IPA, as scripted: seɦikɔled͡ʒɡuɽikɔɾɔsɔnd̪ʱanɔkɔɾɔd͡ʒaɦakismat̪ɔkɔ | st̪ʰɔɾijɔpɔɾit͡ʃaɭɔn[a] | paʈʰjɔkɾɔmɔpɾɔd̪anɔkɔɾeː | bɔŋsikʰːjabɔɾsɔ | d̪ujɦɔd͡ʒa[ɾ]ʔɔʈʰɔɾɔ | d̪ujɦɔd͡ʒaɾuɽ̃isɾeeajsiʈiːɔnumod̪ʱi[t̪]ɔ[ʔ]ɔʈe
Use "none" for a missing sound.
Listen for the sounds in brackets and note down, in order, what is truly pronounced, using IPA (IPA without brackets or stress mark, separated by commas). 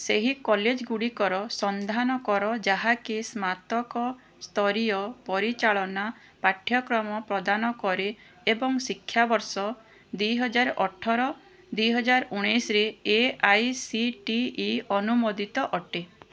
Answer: a, ɾ, t̪, ʔ